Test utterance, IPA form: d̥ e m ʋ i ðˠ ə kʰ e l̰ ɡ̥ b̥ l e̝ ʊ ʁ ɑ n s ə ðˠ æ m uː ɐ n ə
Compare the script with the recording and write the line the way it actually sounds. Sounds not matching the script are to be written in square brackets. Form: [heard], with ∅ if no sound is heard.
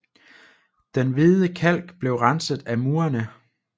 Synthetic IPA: d̥ e [n] ʋ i ðˠ ə kʰ [æ] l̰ ɡ̥ b̥ l e̝ ʊ ʁ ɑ n s ə ðˠ æ m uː ɐ n ə

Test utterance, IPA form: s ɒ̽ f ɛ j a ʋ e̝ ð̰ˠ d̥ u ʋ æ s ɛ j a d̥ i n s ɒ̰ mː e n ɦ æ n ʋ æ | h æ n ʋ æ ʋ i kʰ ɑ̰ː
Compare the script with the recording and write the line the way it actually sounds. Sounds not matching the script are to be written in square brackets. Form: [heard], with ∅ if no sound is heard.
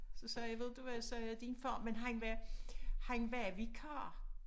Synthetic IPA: s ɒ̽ [s] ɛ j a ʋ e̝ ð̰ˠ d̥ u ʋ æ s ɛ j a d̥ i n [f] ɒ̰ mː e n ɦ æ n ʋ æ | h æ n ʋ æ ʋ i kʰ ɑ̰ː

